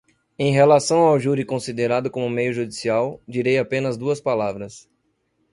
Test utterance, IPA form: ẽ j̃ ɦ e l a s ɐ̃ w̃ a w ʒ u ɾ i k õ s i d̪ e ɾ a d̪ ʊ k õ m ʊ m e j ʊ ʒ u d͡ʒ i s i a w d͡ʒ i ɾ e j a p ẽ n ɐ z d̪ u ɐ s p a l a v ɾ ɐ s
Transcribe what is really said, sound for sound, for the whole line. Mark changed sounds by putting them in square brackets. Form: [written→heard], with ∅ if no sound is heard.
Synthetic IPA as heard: ẽ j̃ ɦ e l a s ɐ̃ w̃ a w ʒ u ɾ i k õ s i d̪ e ɾ a d̪ ʊ k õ m ʊ m e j ʊ ʒ u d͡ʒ i s i a w d͡ʒ i ɾ e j a p ẽ n ɐ z d̪ u ɐ s p a l a v ɾ ɐ s